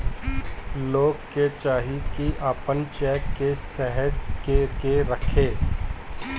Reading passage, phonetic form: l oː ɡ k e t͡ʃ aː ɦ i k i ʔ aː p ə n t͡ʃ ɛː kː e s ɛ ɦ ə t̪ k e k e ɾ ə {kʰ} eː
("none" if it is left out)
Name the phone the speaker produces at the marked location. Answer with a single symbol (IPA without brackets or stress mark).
kʰ